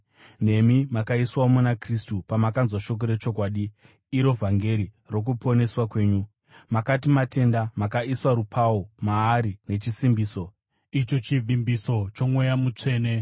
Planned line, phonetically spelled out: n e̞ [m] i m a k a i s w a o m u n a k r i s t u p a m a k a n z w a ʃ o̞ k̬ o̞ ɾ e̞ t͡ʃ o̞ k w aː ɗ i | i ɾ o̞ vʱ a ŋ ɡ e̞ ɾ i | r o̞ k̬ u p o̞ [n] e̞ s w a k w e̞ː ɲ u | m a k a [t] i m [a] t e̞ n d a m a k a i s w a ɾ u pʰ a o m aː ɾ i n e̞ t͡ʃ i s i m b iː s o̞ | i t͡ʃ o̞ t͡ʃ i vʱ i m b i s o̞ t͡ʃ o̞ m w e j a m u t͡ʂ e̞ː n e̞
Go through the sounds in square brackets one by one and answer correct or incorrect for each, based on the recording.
correct, correct, correct, correct

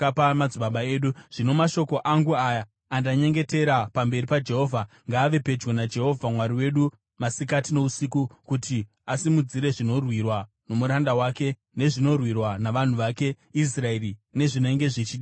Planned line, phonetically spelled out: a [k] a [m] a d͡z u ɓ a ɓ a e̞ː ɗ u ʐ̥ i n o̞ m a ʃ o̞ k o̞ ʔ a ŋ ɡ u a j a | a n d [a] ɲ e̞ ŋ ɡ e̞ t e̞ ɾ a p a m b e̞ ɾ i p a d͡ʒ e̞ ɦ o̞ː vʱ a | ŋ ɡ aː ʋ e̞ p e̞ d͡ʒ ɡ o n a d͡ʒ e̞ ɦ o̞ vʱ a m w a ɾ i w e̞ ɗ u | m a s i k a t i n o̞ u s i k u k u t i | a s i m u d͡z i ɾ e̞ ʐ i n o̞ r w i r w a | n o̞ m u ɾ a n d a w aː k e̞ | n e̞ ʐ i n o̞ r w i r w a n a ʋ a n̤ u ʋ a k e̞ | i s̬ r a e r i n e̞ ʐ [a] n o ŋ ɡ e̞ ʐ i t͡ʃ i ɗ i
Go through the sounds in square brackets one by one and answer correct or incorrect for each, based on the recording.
incorrect: p, correct, correct, incorrect: i

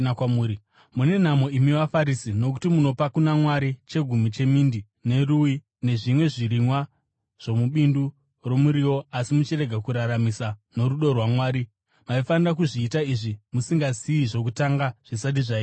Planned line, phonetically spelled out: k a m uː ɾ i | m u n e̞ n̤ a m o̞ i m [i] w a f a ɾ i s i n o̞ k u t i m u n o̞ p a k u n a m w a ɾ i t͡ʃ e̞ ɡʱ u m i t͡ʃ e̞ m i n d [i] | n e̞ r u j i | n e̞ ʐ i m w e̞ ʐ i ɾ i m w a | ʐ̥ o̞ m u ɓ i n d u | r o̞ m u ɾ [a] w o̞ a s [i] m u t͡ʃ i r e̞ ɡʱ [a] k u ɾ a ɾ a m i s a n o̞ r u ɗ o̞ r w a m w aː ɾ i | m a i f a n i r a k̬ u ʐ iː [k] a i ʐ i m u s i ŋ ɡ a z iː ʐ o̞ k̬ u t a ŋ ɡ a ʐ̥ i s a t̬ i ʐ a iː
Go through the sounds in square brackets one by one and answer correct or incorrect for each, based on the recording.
correct, correct, incorrect: i, correct, correct, incorrect: t

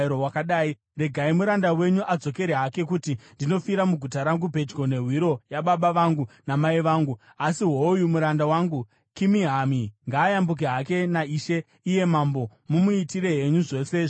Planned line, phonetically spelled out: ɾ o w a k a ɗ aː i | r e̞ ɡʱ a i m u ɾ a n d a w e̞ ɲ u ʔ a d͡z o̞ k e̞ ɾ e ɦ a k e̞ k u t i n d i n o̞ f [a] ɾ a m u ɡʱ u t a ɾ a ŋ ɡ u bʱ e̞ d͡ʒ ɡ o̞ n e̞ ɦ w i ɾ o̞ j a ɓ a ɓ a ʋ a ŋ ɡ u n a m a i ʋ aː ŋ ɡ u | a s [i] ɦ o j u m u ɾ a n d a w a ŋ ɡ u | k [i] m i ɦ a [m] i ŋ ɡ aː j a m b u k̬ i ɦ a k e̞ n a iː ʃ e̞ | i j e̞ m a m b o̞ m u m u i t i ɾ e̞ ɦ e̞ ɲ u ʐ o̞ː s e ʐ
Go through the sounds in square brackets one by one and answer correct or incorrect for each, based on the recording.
incorrect: i, correct, correct, correct

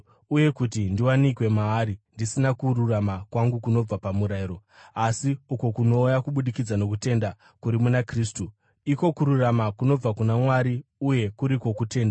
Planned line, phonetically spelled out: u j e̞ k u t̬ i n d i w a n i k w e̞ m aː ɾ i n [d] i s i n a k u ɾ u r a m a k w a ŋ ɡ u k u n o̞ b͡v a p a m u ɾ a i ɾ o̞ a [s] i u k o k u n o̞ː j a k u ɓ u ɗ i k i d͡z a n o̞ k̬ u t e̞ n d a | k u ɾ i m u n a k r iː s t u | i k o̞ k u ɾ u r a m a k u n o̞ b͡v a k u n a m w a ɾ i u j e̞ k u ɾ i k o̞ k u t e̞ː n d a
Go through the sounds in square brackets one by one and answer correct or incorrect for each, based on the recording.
correct, correct

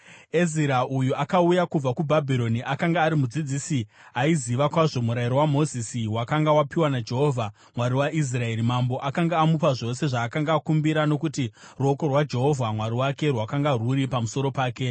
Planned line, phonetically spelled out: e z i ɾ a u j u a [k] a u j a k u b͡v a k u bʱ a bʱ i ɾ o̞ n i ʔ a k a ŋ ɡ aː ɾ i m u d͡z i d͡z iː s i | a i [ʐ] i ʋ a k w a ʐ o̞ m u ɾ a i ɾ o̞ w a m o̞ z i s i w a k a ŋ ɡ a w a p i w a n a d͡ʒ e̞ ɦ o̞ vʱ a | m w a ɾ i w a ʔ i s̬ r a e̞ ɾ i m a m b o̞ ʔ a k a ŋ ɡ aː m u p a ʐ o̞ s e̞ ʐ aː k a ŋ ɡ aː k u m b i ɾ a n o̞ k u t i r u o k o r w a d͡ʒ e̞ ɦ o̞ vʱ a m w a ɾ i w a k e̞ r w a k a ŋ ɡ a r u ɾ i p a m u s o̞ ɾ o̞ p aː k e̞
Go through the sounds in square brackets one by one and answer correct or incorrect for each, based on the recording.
correct, incorrect: z

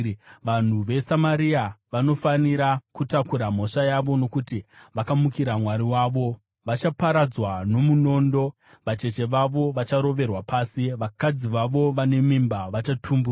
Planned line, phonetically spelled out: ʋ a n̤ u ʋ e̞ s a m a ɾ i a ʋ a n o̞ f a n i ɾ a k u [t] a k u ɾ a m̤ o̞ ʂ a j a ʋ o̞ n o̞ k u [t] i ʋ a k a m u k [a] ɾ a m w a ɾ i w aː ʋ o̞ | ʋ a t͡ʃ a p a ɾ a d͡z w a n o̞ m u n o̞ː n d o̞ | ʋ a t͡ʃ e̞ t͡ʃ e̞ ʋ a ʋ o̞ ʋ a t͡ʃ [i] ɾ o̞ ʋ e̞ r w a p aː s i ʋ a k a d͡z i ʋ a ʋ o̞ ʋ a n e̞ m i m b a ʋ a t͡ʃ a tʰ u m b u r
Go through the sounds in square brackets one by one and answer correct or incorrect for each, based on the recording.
correct, correct, incorrect: i, incorrect: a

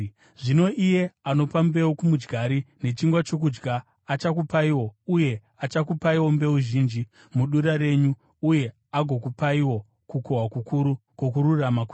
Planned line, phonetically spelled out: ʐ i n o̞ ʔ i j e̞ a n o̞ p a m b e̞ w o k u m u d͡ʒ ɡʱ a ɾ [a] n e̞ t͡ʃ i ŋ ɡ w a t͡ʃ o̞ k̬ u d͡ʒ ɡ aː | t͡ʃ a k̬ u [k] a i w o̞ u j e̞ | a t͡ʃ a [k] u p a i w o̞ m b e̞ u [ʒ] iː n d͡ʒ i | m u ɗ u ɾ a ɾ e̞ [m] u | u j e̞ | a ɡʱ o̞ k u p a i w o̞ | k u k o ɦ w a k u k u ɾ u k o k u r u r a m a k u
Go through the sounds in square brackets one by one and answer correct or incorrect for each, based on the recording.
incorrect: i, incorrect: p, correct, correct, incorrect: ɲ

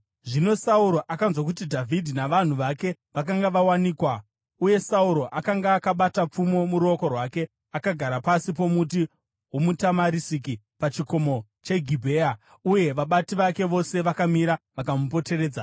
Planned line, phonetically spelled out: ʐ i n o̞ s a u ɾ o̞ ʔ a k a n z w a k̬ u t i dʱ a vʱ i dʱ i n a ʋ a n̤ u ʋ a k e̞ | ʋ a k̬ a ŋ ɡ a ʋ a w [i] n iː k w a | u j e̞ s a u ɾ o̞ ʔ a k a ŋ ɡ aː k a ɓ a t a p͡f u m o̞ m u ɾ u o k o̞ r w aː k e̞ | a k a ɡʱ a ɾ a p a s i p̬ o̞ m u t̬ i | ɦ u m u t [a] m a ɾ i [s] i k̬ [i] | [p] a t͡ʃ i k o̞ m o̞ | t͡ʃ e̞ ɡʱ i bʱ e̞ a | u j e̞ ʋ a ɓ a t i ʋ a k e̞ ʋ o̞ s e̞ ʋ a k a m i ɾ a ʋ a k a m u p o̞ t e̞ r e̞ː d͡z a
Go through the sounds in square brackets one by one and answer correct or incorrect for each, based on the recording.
incorrect: a, correct, correct, correct, correct

